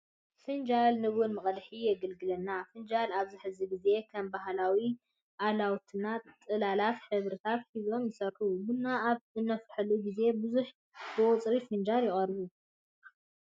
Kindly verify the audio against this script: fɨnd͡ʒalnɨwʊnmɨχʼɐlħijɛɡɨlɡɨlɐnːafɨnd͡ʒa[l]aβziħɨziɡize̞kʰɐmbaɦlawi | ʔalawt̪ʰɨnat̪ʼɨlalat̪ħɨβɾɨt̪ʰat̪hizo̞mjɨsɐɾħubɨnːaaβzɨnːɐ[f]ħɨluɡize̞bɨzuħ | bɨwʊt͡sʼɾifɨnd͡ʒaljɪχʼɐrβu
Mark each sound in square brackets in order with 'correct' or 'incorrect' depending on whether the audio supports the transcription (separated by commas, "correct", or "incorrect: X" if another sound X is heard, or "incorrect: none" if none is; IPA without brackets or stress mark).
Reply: correct, correct